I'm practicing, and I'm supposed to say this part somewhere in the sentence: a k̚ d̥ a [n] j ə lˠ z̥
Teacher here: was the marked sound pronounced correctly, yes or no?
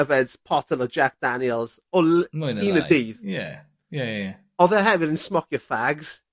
yes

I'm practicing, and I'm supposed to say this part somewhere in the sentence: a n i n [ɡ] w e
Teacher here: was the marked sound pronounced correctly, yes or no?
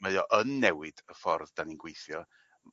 yes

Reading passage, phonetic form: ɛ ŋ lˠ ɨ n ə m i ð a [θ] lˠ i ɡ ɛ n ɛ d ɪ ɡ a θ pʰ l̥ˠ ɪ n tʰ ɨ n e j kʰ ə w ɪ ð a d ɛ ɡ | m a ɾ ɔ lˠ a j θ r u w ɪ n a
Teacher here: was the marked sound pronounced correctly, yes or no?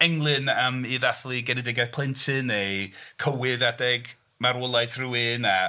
yes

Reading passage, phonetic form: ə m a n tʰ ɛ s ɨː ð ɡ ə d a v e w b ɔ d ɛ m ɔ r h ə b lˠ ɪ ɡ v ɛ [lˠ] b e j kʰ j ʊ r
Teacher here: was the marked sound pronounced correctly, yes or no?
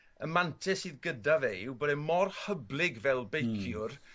yes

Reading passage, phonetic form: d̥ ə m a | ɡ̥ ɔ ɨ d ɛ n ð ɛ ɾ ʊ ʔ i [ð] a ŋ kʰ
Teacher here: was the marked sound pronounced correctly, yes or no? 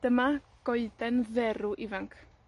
no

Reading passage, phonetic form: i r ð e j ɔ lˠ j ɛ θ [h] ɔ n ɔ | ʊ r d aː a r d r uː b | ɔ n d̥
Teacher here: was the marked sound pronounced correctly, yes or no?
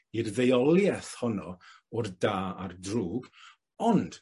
yes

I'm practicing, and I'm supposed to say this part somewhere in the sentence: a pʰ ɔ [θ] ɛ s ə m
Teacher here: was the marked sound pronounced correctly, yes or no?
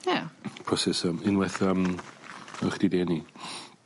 no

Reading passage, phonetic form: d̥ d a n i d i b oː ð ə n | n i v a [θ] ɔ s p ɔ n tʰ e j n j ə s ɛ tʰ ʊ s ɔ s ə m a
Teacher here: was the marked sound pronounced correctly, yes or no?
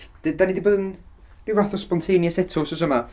yes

